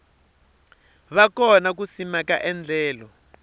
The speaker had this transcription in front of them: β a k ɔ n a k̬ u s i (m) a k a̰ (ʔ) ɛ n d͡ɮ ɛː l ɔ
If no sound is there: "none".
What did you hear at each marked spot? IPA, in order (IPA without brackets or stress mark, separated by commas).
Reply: m, ʔ